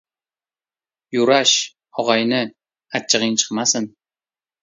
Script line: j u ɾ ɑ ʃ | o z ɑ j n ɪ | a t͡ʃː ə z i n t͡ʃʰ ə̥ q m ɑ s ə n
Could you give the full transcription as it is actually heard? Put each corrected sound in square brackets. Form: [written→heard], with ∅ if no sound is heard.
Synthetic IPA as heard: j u ɾ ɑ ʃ | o [z→ʁ] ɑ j n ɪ | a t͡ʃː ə [z→ʁ] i n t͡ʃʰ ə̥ q m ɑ s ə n

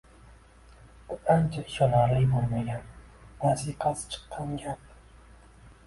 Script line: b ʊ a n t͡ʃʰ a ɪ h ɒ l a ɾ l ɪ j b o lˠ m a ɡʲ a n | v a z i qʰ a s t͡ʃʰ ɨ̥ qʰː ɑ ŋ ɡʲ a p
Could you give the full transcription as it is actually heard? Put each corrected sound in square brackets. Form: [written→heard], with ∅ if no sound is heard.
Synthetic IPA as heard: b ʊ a n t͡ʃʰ a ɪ [h→ʃ] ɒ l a ɾ l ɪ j b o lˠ m a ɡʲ a n | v a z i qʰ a s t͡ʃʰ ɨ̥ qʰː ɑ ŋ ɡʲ a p

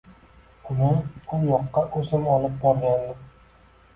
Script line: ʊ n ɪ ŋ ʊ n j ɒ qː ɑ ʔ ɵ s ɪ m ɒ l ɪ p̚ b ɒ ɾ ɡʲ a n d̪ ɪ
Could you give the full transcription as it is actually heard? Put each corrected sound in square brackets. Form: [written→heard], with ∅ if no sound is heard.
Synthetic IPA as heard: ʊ n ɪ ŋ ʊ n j ɒ qː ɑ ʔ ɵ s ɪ m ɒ l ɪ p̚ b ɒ ɾ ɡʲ a n d̪ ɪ

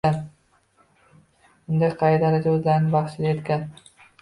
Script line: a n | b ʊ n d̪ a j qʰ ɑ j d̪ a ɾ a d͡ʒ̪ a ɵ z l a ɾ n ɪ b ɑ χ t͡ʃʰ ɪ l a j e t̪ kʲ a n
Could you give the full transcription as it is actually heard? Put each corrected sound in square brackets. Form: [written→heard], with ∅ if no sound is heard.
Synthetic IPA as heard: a n | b ʊ n d̪ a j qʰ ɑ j d̪ a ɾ a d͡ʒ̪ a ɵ z l a ɾ n ɪ b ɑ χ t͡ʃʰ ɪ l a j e t̪ kʲ a n

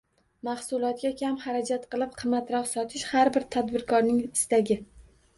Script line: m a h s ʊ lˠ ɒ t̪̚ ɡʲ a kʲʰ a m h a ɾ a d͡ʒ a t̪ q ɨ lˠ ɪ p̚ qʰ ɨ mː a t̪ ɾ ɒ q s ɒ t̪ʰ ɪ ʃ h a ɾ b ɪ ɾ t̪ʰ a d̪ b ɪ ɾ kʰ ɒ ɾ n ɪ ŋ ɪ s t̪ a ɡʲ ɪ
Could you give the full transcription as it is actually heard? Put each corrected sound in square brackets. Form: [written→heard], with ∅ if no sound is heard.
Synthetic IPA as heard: m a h s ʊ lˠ ɒ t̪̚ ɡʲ a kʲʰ a m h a ɾ a d͡ʒ a t̪ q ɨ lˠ ɪ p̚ qʰ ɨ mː a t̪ ɾ ɒ q s ɒ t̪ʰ ɪ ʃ h a ɾ b ɪ ɾ t̪ʰ a d̪ b ɪ ɾ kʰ ɒ ɾ n ɪ ŋ ɪ s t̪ a ɡʲ ɪ

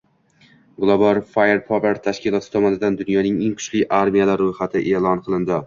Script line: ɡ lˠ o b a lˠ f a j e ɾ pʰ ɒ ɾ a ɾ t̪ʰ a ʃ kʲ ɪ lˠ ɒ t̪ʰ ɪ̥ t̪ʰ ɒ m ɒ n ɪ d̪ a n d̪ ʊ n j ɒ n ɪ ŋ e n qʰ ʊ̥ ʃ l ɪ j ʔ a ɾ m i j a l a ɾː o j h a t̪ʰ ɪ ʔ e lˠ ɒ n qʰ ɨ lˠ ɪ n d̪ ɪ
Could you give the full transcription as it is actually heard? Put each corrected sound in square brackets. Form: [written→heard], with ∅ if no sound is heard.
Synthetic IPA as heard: ɡ lˠ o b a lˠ f a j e ɾ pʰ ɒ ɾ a ɾ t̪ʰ a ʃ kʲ ɪ lˠ ɒ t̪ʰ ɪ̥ t̪ʰ ɒ m ɒ n ɪ d̪ a n d̪ ʊ n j ɒ n ɪ ŋ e [n→ŋ] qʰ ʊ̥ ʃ l ɪ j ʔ a ɾ m i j a l a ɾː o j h a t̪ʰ ɪ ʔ e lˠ ɒ n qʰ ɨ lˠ ɪ n d̪ ɪ

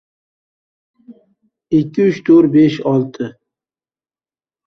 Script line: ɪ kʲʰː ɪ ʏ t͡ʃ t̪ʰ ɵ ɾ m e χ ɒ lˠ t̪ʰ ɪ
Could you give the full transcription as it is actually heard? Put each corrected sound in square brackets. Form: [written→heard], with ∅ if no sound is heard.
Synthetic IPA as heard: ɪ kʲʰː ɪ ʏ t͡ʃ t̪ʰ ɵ ɾ [m→b] e [χ→ʃ] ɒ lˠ t̪ʰ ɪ

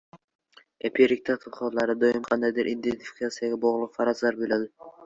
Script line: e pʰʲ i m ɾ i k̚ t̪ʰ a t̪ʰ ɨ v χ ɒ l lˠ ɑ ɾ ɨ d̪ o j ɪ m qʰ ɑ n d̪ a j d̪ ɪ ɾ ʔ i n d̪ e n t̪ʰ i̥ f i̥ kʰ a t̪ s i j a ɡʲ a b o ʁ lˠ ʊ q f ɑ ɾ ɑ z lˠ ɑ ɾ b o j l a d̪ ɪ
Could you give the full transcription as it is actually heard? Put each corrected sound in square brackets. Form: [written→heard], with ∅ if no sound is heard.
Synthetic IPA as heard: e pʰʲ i [m→∅] ɾ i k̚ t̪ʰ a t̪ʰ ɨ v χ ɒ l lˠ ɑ ɾ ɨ d̪ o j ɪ m qʰ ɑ n d̪ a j d̪ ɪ ɾ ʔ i n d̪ e n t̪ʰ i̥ f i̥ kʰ a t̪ s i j a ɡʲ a b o ʁ lˠ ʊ q f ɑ ɾ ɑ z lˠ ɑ ɾ b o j l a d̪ ɪ

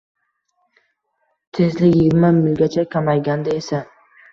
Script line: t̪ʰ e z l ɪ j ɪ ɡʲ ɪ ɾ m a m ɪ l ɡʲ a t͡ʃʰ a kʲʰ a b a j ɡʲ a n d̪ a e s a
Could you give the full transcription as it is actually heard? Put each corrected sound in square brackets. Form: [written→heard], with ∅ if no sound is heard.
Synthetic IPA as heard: t̪ʰ e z l ɪ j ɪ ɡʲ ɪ ɾ m a m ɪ l ɡʲ a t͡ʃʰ a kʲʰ a [b→m] a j ɡʲ a n d̪ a e s a

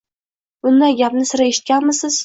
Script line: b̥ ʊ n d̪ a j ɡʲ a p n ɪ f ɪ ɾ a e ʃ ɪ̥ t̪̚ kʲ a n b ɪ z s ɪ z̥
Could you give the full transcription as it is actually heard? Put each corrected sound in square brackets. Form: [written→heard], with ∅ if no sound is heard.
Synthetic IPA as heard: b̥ ʊ n d̪ a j ɡʲ a p n ɪ [f→s] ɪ ɾ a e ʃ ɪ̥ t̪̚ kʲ a n [b→m] ɪ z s ɪ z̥

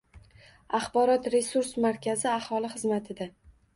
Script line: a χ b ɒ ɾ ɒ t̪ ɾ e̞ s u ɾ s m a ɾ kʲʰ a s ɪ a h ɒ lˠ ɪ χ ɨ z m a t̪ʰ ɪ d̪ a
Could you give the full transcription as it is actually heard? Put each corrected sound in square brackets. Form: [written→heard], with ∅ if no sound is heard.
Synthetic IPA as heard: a χ b ɒ ɾ ɒ t̪ ɾ e̞ s u ɾ s m a ɾ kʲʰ a [s→z] ɪ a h ɒ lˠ ɪ χ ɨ z m a t̪ʰ ɪ d̪ a

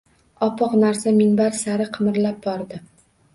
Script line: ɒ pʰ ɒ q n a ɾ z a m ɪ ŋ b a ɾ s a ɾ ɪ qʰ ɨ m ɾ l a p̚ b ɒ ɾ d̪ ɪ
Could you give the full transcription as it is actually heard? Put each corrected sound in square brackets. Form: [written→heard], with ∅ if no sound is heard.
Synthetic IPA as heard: ɒ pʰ ɒ q n a ɾ [z→s] a m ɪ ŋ b a ɾ s a ɾ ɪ qʰ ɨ m ɾ l a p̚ b ɒ ɾ d̪ ɪ

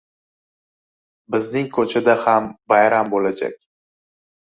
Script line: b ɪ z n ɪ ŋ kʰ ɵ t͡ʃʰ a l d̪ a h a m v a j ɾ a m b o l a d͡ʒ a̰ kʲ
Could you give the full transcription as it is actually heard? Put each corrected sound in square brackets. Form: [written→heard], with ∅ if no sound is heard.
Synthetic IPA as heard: b ɪ z n ɪ ŋ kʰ ɵ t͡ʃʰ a [l→∅] d̪ a h a m [v→b] a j ɾ a m b o l a d͡ʒ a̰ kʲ

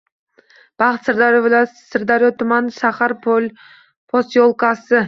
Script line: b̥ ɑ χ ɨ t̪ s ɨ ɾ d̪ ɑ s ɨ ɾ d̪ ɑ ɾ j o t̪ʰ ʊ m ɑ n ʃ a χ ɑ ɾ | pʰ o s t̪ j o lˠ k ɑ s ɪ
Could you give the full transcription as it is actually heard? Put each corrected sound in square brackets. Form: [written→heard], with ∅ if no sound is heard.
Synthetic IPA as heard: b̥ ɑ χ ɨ t̪ s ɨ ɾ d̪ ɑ s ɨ ɾ d̪ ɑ ɾ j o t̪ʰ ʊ m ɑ n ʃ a χ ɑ ɾ | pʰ o s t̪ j o lˠ k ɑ s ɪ

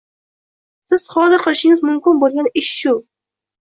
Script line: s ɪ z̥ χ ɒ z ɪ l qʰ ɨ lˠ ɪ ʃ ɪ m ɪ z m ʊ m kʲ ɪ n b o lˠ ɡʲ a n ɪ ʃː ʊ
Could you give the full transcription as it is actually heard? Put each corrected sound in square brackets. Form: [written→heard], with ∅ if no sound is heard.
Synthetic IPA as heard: s ɪ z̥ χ ɒ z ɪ [l→ɾ] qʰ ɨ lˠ ɪ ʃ ɪ [m→ŋ] ɪ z m ʊ m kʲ ɪ n b o lˠ ɡʲ a n ɪ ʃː ʊ

